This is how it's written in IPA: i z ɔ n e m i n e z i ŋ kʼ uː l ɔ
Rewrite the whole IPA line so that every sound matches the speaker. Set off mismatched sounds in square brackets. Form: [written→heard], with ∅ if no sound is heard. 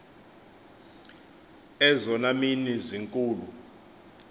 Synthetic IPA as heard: [i→ɛ] z ɔ n [e→a] m i n [e→i] z i ŋ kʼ uː l [ɔ→u]